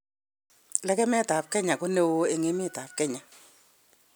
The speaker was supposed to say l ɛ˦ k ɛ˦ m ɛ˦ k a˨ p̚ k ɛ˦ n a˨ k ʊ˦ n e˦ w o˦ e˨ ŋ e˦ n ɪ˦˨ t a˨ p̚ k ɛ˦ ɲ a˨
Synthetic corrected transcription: l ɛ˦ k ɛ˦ m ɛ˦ t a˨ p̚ k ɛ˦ ɲ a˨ k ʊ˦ n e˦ w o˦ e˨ ŋ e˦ m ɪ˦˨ t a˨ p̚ k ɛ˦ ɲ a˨